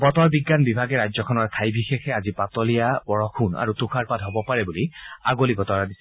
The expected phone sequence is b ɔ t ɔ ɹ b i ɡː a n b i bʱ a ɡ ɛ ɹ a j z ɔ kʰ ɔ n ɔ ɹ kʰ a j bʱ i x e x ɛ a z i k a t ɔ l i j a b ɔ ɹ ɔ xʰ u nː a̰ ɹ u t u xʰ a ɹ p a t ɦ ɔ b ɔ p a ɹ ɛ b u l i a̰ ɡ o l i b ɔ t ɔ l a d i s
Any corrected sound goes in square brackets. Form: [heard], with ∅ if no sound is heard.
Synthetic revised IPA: b ɔ t ɔ ɹ b i ɡː a n b i bʱ a ɡ ɛ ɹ a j z ɔ kʰ ɔ n ɔ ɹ kʰ a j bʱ i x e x ɛ a z i [p] a t ɔ l i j a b ɔ ɹ ɔ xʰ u [n] a̰ ɹ u t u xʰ a ɹ p a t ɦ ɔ b ɔ p a ɹ ɛ b u l i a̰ ɡ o l i b ɔ t ɔ [ɹ] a d i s